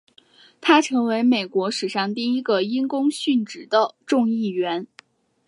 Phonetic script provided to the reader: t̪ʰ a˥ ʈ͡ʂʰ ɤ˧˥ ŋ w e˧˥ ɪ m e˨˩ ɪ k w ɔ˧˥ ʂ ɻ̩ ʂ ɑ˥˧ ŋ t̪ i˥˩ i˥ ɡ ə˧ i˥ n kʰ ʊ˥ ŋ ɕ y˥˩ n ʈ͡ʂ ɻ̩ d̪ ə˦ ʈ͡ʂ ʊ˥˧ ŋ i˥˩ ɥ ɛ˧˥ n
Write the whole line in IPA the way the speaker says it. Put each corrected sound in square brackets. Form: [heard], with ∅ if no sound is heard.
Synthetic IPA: t̪ʰ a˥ ʈ͡ʂʰ ɤ˧˥ ŋ w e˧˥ ɪ m e˨˩ ɪ k w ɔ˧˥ ʂ ɻ̩ ʂ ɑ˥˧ ŋ t̪ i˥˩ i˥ ɡ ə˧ i˥ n [k] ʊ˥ ŋ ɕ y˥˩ n ʈ͡ʂ ɻ̩ d̪ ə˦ ʈ͡ʂ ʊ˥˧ ŋ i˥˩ ɥ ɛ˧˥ n